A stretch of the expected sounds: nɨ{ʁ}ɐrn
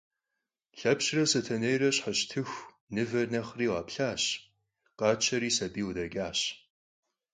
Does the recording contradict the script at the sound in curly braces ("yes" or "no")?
yes